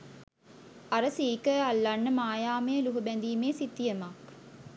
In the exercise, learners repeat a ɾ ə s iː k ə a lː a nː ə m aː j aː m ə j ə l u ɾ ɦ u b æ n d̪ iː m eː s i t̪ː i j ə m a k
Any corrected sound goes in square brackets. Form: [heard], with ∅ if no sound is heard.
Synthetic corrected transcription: a ɾ ə s iː k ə a lː a nː ə m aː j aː m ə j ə l u [∅] ɦ u b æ n d̪ iː m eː s i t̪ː i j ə m a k

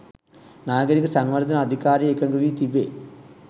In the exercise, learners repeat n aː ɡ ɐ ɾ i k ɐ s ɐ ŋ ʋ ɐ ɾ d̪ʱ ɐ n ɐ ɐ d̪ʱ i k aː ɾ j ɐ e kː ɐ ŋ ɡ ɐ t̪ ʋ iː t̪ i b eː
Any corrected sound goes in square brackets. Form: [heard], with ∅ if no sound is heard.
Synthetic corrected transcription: n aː ɡ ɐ ɾ i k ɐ s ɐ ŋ ʋ ɐ ɾ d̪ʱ ɐ n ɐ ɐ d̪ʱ i k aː ɾ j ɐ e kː ɐ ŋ ɡ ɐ [∅] ʋ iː t̪ i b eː

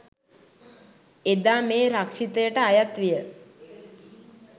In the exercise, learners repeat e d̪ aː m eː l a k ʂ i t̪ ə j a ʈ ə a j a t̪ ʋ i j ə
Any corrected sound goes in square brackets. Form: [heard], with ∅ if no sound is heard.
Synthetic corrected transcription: e d̪ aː m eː [ɾ] a k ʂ i t̪ ə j [ə] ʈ ə a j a t̪ ʋ i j ə

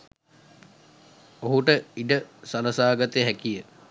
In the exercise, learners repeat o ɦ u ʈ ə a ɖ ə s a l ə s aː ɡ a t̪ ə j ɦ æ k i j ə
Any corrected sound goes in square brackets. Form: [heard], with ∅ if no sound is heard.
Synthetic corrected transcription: o ɦ u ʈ ə [i] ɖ ə s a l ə s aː ɡ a t̪ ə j ɦ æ k i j ə

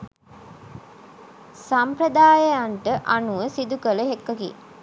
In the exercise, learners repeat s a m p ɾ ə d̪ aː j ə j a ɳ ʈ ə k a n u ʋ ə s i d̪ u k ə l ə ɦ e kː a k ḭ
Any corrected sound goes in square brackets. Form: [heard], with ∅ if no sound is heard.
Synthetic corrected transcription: s a m p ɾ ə d̪ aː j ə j a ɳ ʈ ə [ʔ] a n u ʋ ə s i d̪ u k ə l ə ɦ e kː [ə] k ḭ

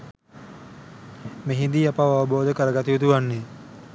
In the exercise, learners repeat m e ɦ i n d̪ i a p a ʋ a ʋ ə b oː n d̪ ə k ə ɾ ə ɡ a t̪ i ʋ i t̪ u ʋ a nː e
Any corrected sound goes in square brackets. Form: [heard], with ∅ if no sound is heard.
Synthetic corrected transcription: m e ɦ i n d̪ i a p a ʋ a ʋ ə b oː [∅] d̪ ə k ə ɾ ə ɡ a t̪ i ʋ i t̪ u ʋ a nː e

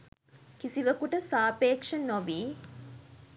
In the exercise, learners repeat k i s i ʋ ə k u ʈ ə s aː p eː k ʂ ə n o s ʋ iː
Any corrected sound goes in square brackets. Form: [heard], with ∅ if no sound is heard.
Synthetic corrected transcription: k i s i ʋ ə k u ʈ ə s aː p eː k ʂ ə n o [∅] ʋ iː

